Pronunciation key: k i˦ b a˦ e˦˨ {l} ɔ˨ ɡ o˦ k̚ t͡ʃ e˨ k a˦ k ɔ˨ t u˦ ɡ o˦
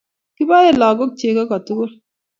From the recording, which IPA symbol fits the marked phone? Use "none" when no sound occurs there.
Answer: l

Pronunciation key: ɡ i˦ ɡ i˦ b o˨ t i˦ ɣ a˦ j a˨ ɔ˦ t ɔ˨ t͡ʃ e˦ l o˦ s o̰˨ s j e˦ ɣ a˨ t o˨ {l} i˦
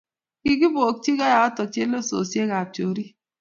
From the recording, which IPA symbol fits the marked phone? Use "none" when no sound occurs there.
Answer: ɾ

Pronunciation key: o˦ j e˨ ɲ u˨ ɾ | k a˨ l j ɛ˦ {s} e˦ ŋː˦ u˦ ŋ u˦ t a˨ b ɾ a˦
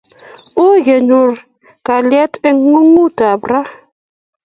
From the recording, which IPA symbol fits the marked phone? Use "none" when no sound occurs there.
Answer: t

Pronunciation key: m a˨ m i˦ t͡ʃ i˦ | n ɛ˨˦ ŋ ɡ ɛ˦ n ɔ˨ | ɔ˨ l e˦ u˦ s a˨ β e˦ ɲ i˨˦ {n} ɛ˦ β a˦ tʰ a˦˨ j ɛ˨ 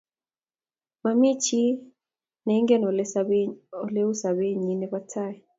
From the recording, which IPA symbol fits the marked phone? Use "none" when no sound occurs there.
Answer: n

